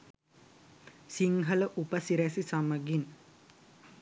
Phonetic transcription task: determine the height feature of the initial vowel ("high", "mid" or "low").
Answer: high